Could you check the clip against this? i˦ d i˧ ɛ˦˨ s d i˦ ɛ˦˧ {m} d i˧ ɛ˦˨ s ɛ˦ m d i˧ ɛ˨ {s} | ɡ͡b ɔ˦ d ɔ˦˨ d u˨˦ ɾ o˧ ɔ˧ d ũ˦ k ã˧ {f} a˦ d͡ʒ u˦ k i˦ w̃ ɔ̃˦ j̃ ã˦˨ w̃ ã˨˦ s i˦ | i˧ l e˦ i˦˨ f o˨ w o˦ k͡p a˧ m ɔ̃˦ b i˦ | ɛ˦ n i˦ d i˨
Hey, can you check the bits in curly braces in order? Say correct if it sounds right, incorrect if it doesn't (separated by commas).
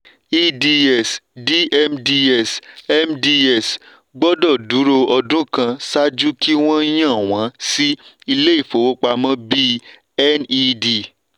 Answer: correct, correct, incorrect